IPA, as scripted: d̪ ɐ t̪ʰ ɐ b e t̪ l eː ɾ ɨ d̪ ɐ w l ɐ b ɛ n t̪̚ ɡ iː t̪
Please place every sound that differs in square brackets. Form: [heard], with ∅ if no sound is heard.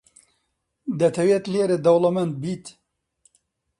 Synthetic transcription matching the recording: d̪ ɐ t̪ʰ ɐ [w] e t̪ l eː ɾ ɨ d̪ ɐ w l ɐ [m] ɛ n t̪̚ [b] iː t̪

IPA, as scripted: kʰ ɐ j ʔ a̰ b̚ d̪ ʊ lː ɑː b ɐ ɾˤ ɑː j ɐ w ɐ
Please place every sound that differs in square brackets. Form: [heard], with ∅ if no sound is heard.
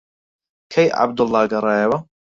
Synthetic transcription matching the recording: kʰ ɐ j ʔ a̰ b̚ d̪ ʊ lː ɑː [ɡ] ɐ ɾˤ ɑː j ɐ w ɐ

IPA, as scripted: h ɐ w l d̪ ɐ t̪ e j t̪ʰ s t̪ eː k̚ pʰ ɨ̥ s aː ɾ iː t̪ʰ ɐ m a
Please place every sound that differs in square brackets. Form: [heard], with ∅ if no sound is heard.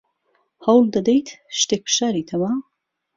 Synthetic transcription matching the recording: h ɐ w l d̪ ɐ [d̪] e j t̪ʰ [ʃ] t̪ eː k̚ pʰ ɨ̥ [ʃ] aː ɾ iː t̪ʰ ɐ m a

